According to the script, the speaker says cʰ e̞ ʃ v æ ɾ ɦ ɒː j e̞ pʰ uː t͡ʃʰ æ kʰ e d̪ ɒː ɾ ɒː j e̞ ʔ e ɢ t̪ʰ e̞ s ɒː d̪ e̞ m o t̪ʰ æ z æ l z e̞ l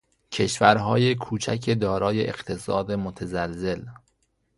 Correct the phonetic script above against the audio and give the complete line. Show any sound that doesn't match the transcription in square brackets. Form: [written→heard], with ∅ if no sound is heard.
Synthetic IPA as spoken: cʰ e̞ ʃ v æ ɾ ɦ ɒː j e̞ [pʰ→kʰ] uː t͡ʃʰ æ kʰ e d̪ ɒː ɾ ɒː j e̞ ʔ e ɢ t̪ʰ e̞ s ɒː d̪ e̞ m o t̪ʰ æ z æ l z e̞ l

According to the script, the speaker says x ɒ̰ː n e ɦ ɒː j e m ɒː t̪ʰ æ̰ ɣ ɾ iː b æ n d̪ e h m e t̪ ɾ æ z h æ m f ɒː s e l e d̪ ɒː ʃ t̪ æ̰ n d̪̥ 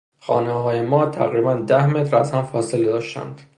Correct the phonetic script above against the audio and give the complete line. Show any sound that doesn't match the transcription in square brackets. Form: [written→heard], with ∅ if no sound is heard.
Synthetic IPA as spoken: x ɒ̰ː n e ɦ ɒː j e m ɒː t̪ʰ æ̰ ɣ ɾ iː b æ n d̪ [e→æ] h m e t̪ ɾ æ z h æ m f ɒː s e l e d̪ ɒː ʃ t̪ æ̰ n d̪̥

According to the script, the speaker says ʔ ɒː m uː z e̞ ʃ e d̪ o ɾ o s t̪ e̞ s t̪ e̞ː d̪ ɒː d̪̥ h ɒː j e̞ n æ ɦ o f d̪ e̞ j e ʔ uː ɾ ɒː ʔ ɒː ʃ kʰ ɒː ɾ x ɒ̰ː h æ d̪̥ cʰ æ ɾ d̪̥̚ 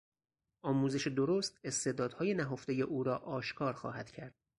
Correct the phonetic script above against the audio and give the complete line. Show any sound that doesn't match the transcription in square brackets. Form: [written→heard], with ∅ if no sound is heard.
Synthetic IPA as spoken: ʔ ɒː m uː z e̞ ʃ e d̪ o ɾ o s t̪ e̞ s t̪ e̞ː d̪ ɒː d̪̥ h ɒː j e̞ n æ ɦ o f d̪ e̞ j e ʔ uː ɾ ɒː ʔ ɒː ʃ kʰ ɒː ɾ x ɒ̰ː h æ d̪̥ cʰ æ ɾ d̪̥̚

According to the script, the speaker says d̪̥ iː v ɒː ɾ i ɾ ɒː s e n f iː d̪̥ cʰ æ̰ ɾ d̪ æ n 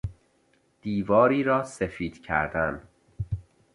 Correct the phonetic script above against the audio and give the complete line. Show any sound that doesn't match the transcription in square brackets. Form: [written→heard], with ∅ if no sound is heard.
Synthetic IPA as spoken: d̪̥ iː v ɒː ɾ [i→iː] ɾ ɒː s e [n→∅] f iː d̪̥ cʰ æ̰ ɾ d̪ æ n

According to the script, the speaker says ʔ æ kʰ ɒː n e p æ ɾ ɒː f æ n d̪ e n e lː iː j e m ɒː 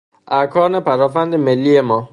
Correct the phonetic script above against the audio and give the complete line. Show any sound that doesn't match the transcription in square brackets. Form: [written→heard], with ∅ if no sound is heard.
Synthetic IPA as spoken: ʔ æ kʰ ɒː n e p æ ɾ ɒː f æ n d̪ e [n→m] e lː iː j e m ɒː

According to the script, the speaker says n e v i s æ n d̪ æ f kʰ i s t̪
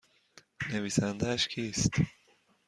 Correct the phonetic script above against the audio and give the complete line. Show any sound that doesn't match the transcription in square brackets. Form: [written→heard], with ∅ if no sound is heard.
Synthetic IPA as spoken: n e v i s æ n d̪ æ [f→ʃ] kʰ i s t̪

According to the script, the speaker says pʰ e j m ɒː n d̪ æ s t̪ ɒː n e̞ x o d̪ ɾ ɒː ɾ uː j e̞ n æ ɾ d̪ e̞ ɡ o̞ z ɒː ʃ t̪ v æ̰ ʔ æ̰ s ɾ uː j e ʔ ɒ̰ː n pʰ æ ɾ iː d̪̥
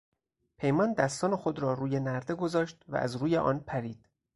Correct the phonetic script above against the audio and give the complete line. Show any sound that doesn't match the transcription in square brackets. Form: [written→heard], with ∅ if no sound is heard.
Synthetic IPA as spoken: pʰ e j m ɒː n d̪ æ s t̪ ɒː n e̞ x o d̪ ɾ ɒː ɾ uː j e̞ n æ ɾ d̪ e̞ ɡ o̞ z ɒː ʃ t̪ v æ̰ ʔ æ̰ [s→z] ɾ uː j e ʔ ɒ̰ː n pʰ æ ɾ iː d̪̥

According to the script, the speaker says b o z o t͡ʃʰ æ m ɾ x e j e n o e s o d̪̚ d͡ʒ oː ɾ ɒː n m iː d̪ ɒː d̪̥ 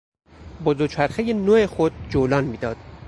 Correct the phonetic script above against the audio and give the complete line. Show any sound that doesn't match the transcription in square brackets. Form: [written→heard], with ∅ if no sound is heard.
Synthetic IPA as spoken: b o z o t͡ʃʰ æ [m→∅] ɾ x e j e n o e [s→x] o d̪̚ d͡ʒ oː [ɾ→l] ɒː n m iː d̪ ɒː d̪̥

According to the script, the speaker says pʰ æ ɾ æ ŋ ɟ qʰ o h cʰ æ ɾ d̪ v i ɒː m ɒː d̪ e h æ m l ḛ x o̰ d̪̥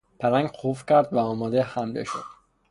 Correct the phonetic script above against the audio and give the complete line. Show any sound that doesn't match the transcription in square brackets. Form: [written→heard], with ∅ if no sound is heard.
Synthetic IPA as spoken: pʰ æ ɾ æ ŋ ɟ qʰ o [h→f] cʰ æ ɾ d̪ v [i→æ] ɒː m ɒː d̪ e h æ m l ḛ [x→ʃ] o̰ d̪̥

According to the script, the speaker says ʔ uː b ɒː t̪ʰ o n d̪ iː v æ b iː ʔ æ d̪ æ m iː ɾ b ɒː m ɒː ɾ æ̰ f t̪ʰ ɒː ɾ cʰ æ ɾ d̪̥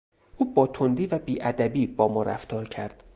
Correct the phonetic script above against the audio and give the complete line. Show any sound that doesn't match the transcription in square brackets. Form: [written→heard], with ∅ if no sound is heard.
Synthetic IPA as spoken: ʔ uː b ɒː t̪ʰ o n d̪ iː v æ b iː ʔ æ d̪ æ [m→b] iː [ɾ→∅] b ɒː m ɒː ɾ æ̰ f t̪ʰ ɒː ɾ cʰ æ ɾ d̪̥

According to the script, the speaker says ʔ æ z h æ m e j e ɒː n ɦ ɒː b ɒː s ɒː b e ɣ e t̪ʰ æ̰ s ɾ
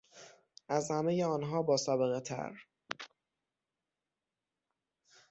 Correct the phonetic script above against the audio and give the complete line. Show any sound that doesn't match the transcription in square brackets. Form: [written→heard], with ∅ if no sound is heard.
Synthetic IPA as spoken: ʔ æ z h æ m e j e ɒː n ɦ ɒː b ɒː s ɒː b e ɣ e t̪ʰ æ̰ [s→∅] ɾ

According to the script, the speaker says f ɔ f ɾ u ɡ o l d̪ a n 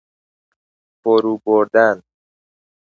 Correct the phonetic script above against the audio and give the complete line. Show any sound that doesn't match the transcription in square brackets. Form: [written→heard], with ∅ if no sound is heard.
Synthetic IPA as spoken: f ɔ [f→∅] ɾ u [ɡ→b] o [l→ɾ] d̪ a n

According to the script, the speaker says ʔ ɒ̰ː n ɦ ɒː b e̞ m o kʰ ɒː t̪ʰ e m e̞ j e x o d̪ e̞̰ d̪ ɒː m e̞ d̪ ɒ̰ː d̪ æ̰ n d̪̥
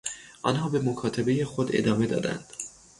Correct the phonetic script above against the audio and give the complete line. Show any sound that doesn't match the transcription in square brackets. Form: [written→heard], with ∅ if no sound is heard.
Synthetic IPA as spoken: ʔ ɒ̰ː n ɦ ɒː b e̞ m o kʰ ɒː t̪ʰ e [m→b] e̞ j e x o d̪ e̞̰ d̪ ɒː m e̞ d̪ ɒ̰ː d̪ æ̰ n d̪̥

